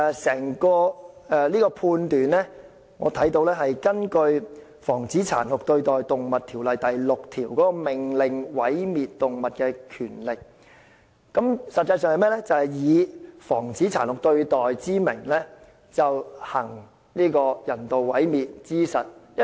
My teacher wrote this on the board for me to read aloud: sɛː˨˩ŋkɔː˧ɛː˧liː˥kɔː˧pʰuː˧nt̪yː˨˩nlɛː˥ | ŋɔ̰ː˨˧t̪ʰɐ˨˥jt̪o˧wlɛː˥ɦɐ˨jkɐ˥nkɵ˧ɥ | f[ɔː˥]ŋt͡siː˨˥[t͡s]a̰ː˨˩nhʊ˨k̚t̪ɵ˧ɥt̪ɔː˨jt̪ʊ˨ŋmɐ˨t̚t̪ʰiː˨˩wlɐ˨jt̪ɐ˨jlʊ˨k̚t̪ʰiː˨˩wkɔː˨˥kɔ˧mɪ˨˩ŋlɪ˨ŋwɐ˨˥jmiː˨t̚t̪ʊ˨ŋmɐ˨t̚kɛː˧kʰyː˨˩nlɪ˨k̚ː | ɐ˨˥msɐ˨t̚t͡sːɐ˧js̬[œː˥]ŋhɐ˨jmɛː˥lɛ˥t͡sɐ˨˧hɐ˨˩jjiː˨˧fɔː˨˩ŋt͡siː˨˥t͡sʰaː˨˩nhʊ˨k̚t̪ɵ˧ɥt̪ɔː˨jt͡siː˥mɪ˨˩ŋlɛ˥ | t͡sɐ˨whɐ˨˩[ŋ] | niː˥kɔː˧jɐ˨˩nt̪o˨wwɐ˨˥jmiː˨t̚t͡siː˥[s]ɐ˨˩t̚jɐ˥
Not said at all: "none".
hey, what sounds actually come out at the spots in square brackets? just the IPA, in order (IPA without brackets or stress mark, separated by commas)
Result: ɔː˨˩, t͡sʰ, œː˨˧, ŋ, s